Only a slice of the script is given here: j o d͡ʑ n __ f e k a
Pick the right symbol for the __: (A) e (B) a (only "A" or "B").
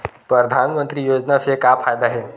B